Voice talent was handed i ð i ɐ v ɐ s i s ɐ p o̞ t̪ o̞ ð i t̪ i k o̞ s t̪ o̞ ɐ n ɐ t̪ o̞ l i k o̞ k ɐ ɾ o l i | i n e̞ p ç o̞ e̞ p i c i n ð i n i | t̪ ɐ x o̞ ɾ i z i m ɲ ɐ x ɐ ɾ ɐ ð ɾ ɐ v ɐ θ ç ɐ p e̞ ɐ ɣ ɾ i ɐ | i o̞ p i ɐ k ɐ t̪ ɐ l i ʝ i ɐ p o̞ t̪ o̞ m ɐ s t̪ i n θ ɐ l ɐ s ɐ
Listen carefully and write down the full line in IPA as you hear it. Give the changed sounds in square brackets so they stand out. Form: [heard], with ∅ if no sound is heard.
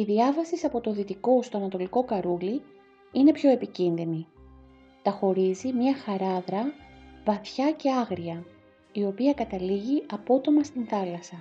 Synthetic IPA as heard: i ð i ɐ v ɐ s i s ɐ p o̞ t̪ o̞ ð i t̪ i k o̞ s t̪ o̞ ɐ n ɐ t̪ o̞ l i k o̞ k ɐ ɾ [u] l i | i n e̞ p ç o̞ e̞ p i c i n ð i n i | t̪ ɐ x o̞ ɾ i z i m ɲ ɐ x ɐ ɾ ɐ ð ɾ ɐ v ɐ θ ç ɐ [c] e̞ ɐ ɣ ɾ i ɐ | i o̞ p i ɐ k ɐ t̪ ɐ l i ʝ i ɐ p o̞ t̪ o̞ m ɐ s t̪ i n θ ɐ l ɐ s ɐ